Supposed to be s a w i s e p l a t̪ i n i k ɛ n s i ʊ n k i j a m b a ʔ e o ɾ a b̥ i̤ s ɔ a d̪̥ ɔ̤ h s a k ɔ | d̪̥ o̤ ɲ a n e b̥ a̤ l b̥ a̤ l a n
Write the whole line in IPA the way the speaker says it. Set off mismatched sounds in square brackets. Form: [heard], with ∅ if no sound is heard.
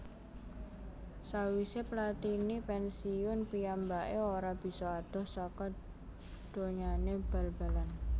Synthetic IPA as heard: s a w i s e p l a t̪ i n i [p] ɛ n s i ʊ n [p] i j a m b a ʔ e o ɾ a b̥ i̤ s ɔ a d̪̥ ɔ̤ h s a k ɔ | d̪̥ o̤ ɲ a n e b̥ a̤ l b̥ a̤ l a n